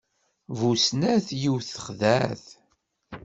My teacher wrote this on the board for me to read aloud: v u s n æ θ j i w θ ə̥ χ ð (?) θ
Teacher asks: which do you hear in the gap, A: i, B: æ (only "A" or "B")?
B